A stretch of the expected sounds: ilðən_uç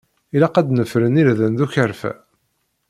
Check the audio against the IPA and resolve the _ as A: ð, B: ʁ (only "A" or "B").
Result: A